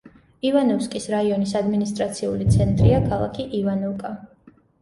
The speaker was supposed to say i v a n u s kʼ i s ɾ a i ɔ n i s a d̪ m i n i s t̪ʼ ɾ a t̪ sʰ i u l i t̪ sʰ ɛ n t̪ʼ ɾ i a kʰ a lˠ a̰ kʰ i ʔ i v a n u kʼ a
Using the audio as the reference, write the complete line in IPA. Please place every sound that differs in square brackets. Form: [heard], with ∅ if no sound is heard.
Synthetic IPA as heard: i v a n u s kʼ i s ɾ a i ɔ n i s a d̪ m i n i s t̪ʼ ɾ a t̪ sʰ i u l i t̪ sʰ ɛ n t̪ʼ ɾ i a kʰ a lˠ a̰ kʰ i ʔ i v a n u kʼ a